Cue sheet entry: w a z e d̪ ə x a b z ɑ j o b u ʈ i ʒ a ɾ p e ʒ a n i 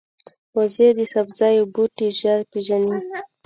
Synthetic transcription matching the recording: w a z e d̪ ə x a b z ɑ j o b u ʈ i ʒ a ɾ p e ʒ a n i